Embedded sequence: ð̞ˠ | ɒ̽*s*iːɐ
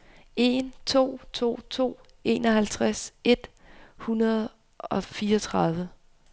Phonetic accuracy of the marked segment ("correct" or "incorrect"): incorrect